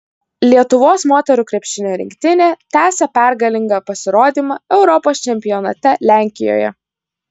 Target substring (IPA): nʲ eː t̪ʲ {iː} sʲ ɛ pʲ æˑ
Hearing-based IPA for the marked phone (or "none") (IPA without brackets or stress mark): æː